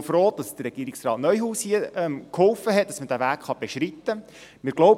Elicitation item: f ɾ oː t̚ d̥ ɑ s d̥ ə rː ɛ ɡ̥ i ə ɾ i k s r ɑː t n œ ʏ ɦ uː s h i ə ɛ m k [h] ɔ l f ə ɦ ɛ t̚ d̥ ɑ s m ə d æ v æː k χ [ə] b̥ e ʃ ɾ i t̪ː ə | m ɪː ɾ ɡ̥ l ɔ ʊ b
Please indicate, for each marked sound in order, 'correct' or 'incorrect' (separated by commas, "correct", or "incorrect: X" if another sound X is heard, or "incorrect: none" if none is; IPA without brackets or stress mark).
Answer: correct, incorrect: ɑ